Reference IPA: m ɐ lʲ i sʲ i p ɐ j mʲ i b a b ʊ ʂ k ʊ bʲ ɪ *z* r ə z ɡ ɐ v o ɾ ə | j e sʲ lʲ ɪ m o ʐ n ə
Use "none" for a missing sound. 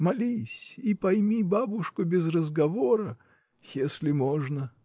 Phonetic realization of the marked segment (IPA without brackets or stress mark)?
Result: z